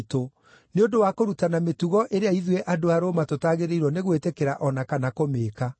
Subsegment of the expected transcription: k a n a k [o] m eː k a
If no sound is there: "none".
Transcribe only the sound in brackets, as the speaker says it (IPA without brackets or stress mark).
o